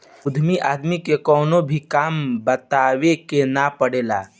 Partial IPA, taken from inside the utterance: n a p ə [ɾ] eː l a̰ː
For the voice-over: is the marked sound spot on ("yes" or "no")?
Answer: no